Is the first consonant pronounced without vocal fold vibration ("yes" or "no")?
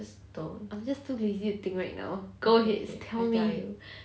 yes